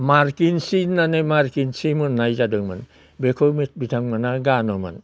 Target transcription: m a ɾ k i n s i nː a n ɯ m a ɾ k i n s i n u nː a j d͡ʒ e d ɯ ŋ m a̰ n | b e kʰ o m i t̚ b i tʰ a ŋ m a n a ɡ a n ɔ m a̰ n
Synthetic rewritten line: m a ɾ k i n s i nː a n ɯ m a ɾ k i n s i m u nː a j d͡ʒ a d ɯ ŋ m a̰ n | b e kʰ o m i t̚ b i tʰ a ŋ m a n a ɡ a n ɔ m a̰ n